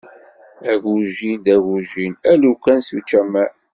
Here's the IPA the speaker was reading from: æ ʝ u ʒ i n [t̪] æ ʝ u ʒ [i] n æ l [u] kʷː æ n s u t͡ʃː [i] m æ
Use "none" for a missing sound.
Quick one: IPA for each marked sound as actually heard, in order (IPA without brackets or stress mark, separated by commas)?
d̪, i, u, æ